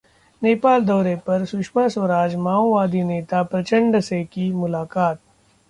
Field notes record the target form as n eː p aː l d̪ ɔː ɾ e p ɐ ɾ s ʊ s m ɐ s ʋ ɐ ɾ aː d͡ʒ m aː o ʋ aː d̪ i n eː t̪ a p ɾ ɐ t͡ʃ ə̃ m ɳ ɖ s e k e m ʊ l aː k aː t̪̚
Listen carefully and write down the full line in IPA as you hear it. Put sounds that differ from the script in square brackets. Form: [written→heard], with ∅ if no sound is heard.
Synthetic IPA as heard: n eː p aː l d̪ ɔː ɾ e p ɐ ɾ s ʊ [s→ʃ] m [ɐ→a] s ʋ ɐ ɾ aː d͡ʒ m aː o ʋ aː d̪ i n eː t̪ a p ɾ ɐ t͡ʃ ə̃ [m→∅] ɳ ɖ s e k [e→i] m ʊ l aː k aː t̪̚